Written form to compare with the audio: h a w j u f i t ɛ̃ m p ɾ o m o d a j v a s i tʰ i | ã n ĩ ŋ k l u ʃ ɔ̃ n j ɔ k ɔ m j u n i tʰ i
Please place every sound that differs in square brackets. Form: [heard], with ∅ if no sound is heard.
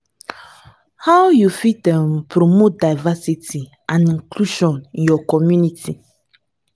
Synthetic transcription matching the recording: h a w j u f i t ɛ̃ m p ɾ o m o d a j v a s i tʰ i | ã n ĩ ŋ k l u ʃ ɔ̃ n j ɔ k ɔ m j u n i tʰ i